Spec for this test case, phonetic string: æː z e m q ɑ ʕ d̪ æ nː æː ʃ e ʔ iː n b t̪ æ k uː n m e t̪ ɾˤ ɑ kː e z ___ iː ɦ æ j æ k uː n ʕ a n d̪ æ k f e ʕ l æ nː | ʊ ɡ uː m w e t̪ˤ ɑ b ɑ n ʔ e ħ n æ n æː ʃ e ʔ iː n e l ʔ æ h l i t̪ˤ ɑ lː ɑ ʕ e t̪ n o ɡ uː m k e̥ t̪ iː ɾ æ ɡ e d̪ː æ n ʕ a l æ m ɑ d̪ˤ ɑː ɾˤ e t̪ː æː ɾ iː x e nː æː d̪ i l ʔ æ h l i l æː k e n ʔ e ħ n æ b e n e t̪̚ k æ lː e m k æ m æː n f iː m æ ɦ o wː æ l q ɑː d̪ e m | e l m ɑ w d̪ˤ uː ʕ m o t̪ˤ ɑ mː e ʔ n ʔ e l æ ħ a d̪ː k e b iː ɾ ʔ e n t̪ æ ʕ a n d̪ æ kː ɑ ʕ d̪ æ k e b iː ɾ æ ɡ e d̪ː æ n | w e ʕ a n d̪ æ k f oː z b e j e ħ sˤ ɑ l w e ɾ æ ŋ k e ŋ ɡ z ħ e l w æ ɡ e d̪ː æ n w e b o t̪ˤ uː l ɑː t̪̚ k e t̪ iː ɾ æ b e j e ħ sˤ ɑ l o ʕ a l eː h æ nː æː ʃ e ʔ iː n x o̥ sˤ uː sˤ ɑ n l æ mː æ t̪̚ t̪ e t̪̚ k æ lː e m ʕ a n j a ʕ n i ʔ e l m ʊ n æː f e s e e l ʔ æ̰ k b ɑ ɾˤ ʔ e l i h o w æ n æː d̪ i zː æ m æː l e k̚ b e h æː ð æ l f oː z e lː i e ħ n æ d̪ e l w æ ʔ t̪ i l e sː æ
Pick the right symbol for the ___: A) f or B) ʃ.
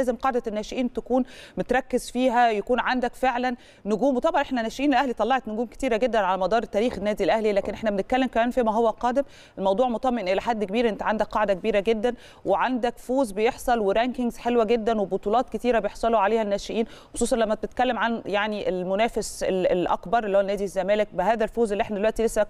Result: A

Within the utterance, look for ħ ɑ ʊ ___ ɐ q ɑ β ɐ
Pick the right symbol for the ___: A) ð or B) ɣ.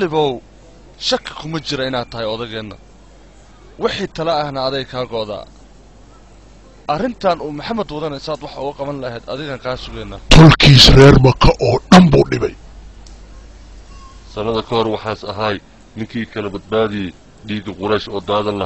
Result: B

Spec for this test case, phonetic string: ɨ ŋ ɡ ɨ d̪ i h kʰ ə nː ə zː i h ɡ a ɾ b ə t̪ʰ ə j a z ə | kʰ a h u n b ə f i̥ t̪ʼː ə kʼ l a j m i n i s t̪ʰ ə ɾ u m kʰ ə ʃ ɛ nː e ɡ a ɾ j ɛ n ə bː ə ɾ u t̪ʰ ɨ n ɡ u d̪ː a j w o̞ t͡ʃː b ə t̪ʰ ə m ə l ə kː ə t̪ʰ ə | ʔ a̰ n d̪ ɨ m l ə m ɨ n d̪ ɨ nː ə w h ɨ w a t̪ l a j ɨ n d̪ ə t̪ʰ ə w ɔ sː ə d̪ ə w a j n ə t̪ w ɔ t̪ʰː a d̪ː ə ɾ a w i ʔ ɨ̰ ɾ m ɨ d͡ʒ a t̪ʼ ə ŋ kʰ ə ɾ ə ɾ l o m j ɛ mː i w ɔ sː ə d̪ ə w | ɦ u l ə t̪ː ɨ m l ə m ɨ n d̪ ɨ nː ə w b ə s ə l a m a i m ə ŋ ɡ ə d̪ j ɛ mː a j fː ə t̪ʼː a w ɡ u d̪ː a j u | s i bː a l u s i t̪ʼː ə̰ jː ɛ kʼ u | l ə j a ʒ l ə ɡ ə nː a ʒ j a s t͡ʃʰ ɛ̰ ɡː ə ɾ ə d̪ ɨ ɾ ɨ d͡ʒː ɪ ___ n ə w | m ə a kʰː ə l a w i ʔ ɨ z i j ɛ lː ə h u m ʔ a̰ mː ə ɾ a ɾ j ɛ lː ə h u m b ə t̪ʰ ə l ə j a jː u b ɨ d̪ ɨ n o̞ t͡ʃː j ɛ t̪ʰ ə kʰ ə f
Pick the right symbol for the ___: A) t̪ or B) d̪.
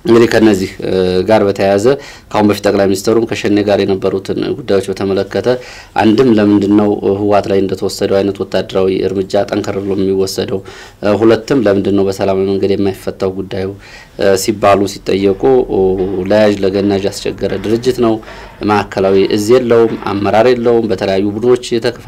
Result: A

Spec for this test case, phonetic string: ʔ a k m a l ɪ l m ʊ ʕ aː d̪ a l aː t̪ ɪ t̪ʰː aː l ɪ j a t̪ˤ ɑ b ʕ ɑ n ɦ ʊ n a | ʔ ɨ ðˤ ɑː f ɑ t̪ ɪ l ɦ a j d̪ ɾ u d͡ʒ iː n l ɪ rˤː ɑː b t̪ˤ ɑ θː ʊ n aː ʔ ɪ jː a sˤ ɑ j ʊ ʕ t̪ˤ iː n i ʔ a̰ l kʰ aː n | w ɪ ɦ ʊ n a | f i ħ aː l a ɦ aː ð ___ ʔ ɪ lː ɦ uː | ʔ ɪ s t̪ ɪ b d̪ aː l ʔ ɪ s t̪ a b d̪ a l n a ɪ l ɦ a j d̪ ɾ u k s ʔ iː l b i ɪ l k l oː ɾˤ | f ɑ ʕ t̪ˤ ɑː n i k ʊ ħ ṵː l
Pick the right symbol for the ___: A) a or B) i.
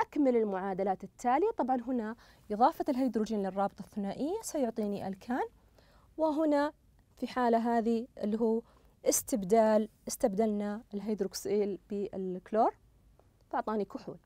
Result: B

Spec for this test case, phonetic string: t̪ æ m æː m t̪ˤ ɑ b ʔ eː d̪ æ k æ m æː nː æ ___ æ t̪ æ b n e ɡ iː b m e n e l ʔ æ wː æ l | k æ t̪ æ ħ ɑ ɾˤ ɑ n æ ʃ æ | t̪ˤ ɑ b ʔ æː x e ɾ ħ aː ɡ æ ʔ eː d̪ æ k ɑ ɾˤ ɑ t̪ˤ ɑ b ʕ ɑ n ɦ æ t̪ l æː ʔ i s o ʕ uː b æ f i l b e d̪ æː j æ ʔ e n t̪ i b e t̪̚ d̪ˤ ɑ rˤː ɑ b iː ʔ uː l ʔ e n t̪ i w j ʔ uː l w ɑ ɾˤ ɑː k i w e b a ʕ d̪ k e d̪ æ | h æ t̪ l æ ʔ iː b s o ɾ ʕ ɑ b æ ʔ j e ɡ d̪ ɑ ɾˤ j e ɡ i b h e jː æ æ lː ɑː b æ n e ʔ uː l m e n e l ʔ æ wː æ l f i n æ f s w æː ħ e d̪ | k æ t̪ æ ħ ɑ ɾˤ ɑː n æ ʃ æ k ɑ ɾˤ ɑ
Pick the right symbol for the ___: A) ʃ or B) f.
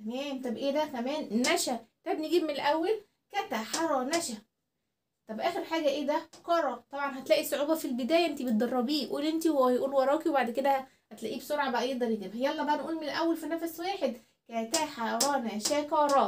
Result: A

